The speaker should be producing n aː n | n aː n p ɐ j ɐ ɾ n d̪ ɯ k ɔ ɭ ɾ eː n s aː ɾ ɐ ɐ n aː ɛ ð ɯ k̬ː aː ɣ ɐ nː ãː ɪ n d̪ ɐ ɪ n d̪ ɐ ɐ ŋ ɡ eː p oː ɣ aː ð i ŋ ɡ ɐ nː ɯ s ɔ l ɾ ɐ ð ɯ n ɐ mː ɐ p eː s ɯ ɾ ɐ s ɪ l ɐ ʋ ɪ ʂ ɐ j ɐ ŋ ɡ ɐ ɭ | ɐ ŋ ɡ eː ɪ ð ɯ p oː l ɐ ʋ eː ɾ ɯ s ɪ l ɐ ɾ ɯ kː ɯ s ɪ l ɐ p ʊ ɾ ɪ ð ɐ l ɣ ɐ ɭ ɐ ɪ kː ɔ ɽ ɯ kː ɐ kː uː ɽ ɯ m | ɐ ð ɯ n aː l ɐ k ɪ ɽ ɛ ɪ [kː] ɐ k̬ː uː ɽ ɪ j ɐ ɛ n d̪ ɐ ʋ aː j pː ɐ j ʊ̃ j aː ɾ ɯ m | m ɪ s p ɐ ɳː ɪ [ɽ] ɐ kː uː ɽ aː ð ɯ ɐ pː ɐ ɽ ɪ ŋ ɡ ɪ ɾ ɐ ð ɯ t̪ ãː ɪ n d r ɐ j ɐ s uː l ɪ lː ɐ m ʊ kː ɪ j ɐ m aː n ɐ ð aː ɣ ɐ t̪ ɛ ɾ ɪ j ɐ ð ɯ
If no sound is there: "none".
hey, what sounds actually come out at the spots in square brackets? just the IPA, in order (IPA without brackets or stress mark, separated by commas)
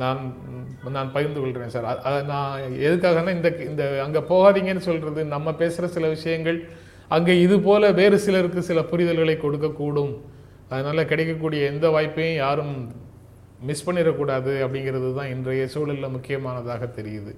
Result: kː, ɾ